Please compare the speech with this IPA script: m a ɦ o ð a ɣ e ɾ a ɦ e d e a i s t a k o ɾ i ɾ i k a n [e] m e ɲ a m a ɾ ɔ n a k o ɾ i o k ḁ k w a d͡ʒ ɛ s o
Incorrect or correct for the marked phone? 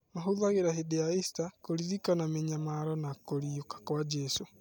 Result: incorrect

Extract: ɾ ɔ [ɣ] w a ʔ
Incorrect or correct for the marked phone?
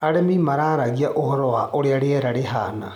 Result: incorrect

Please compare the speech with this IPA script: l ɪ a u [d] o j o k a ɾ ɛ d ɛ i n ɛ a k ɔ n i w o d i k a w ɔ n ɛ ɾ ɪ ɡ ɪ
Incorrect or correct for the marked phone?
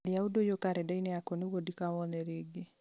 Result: correct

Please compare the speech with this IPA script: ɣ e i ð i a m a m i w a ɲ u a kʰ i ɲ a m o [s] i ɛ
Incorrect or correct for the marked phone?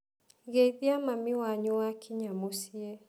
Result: correct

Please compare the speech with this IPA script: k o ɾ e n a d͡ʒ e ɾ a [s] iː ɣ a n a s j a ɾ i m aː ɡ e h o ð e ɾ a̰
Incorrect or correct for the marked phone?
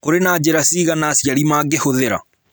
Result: correct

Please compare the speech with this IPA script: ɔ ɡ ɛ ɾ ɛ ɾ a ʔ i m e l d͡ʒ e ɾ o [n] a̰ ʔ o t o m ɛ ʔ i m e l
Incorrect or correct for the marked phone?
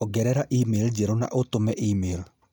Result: correct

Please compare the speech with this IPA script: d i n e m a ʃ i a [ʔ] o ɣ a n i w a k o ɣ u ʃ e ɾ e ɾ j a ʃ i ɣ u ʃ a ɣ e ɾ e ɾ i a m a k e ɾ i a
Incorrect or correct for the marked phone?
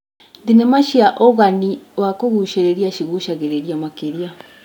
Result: correct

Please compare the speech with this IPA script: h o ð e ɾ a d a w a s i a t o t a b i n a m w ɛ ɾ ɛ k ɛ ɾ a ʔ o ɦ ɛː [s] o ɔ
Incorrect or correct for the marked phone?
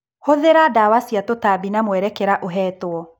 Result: incorrect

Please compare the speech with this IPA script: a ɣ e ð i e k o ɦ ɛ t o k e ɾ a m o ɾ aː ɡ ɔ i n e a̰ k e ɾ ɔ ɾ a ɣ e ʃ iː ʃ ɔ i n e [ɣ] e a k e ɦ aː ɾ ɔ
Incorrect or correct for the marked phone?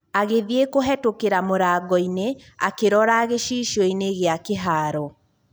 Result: correct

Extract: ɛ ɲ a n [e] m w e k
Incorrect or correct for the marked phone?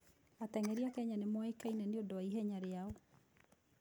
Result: correct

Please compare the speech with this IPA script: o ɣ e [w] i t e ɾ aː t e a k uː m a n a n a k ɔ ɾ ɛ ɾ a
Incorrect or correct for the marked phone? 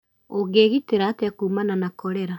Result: incorrect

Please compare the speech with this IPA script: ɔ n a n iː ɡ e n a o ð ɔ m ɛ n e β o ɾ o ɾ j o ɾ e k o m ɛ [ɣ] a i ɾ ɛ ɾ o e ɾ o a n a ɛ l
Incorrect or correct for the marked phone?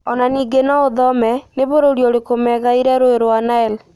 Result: correct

